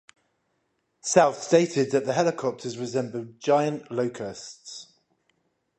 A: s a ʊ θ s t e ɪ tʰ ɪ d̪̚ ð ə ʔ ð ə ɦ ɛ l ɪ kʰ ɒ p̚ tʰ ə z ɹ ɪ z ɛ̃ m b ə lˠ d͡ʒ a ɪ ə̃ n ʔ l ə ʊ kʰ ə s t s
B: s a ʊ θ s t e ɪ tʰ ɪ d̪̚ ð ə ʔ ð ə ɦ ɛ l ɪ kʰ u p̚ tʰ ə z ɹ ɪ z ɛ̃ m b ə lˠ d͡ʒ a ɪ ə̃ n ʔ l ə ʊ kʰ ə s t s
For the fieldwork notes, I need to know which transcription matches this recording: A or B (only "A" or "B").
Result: A